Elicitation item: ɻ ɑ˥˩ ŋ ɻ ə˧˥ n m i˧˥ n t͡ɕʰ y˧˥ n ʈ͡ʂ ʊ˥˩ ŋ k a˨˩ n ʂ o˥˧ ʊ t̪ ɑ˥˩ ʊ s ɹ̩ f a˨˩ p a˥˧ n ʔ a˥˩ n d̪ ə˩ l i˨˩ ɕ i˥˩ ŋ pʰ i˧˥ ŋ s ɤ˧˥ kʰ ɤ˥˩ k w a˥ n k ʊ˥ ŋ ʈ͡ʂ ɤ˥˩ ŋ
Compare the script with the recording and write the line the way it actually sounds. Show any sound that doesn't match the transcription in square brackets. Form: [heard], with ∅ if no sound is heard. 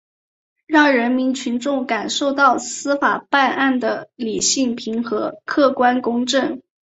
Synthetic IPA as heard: ɻ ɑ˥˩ ŋ ɻ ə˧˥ n m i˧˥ n t͡ɕʰ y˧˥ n ʈ͡ʂ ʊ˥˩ ŋ k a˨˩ n ʂ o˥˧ ʊ t̪ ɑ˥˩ ʊ s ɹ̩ f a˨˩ p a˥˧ n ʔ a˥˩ n d̪ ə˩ l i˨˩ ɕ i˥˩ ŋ pʰ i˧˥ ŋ [x] ɤ˧˥ kʰ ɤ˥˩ k w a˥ n k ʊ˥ ŋ ʈ͡ʂ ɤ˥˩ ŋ